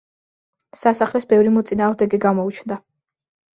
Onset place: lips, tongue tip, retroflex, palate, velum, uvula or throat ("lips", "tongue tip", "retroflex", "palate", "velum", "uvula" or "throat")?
tongue tip